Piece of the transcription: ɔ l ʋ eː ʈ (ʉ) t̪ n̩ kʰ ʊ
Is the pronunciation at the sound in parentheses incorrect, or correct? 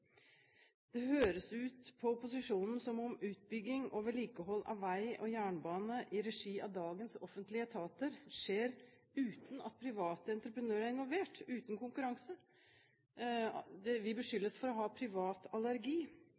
incorrect